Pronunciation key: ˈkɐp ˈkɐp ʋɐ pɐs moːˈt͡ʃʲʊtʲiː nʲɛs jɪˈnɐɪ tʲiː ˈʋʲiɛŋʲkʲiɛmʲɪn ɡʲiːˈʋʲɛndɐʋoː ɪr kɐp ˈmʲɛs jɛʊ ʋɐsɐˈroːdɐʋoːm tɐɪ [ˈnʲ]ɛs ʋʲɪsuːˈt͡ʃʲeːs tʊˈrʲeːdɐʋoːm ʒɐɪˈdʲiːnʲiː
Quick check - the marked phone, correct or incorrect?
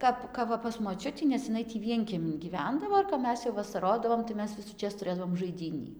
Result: incorrect